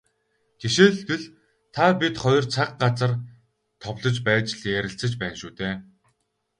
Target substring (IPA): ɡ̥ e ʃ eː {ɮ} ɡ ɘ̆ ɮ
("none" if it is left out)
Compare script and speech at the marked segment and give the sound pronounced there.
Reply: ɮ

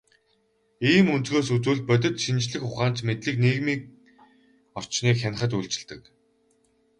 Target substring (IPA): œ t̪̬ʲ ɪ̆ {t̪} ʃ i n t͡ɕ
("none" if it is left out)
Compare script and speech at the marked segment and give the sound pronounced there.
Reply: t̪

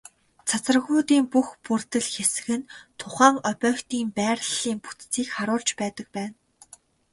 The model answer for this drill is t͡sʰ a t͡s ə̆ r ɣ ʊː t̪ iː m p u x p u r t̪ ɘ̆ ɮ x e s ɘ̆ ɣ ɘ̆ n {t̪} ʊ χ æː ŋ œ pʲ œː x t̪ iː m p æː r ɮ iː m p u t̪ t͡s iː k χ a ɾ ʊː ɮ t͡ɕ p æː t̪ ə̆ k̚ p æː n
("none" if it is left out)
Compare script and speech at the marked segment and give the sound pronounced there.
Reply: t̪ʰ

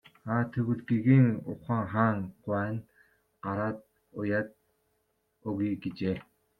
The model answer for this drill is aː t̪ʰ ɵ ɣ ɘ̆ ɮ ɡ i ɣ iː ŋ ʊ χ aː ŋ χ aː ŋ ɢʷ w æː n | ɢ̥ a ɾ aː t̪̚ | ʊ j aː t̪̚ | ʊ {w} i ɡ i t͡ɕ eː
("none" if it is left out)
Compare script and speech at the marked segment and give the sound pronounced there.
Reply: ɣ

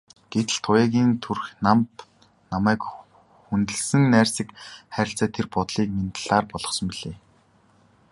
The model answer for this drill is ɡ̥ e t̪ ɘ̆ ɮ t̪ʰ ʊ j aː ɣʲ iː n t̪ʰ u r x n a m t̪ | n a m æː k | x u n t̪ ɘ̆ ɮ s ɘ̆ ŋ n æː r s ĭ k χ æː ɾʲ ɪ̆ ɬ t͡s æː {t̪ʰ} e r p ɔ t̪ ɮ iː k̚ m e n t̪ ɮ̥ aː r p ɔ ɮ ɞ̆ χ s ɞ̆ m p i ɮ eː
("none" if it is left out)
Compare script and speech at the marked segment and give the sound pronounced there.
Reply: t̪ʰ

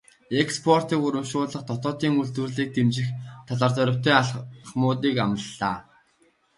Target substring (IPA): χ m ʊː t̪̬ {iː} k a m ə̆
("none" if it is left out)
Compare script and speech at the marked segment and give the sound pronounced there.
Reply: iː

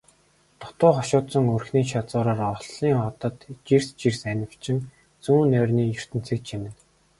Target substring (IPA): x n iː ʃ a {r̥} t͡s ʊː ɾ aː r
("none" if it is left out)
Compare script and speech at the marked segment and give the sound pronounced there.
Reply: none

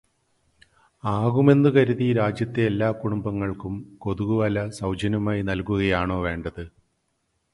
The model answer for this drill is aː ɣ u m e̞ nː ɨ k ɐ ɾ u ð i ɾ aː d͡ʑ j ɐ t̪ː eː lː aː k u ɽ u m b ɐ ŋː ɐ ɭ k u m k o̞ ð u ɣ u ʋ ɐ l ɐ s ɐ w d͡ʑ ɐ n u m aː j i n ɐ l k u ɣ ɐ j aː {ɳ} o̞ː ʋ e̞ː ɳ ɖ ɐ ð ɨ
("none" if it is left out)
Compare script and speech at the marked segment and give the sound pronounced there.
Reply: ɳ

